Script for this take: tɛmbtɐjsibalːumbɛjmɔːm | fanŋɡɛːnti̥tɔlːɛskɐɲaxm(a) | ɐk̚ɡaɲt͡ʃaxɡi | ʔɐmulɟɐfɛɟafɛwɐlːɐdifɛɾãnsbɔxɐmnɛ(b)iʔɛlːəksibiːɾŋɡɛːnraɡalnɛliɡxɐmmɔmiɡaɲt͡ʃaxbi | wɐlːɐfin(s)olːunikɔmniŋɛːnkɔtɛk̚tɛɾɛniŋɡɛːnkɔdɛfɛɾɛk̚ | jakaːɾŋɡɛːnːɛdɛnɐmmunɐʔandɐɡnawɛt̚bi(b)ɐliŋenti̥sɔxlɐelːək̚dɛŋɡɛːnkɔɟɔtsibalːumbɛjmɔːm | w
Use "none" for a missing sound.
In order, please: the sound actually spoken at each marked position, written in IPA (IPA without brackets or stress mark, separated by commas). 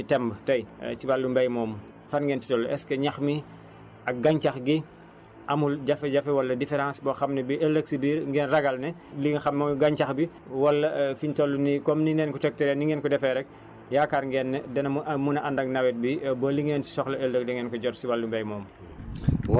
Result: i, b, t, b